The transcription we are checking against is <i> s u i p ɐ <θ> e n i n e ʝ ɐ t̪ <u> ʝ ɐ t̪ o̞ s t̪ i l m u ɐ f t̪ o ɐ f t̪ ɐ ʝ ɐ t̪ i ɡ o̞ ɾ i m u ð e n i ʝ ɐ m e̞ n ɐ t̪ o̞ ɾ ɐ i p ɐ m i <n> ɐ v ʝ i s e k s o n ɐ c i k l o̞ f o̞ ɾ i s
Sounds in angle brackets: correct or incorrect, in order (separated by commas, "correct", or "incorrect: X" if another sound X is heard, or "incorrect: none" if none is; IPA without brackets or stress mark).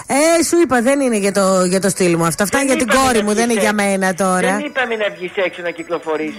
incorrect: e, incorrect: ð, incorrect: o, correct